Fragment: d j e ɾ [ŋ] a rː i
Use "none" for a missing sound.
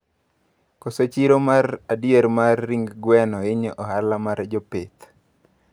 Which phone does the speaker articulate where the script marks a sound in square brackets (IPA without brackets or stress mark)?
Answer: m